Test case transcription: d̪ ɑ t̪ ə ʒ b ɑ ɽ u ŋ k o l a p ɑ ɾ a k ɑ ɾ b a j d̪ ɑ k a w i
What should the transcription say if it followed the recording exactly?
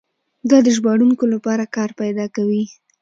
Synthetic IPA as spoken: d̪ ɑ d̪ ə ʒ b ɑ ɽ u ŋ k o l a p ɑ ɾ a k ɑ ɾ p a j d̪ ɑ k a w i